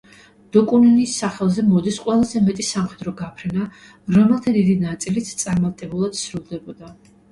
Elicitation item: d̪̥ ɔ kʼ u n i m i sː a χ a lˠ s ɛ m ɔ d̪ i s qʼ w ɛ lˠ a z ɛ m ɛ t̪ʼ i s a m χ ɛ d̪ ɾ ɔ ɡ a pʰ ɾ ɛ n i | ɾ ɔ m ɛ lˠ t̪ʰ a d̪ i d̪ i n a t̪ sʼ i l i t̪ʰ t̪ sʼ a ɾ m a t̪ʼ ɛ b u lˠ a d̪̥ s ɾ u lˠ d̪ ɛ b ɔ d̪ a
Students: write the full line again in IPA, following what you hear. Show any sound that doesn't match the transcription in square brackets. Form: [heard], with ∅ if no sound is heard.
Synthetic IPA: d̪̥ ɔ kʼ u n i [n] i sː a χ [ɛ] lˠ [z] ɛ m ɔ d̪ i s qʼ w ɛ lˠ a z ɛ m ɛ t̪ʼ i s a m χ ɛ d̪ ɾ ɔ ɡ a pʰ ɾ ɛ n [a] | ɾ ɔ m ɛ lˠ t̪ʰ a d̪ i d̪ i n a t̪ sʼ i l i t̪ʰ t̪ sʼ a ɾ m a t̪ʼ ɛ b u lˠ a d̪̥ s ɾ u lˠ d̪ ɛ b ɔ d̪ a